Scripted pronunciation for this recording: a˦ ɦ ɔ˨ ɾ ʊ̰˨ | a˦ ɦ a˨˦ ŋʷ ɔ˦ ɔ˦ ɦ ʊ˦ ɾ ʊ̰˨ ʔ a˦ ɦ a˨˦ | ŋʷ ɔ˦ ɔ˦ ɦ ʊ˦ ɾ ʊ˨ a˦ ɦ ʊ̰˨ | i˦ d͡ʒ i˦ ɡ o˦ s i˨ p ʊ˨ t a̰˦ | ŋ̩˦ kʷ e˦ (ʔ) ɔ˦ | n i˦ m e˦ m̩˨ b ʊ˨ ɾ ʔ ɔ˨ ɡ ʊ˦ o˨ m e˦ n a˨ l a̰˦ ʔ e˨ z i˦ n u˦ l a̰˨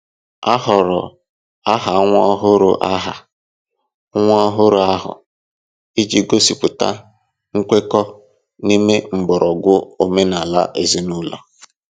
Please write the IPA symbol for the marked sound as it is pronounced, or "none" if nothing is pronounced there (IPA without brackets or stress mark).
k